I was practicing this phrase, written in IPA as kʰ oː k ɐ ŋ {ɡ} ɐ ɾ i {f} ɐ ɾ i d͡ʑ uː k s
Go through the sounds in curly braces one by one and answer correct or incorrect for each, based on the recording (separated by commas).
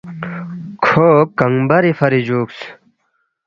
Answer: incorrect, correct